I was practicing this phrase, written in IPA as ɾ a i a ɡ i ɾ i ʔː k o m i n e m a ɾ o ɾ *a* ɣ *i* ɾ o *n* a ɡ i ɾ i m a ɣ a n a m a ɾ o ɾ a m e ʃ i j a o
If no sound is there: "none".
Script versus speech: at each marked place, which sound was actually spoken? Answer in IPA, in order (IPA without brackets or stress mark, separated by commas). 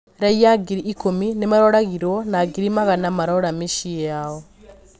a, i, n